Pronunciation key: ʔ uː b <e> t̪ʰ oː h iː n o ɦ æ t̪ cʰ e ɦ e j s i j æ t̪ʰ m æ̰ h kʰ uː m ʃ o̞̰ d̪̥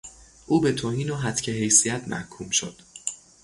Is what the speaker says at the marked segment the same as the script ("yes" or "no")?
yes